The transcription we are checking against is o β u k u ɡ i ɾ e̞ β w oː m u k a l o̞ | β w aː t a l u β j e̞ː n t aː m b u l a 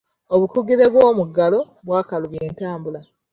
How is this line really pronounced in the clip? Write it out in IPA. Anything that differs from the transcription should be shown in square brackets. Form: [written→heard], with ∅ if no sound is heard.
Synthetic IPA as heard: o β u k u ɡ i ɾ e̞ β w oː m u [k→ɡ] a l o̞ | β w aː [t→k] a l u β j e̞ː n t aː m b u l a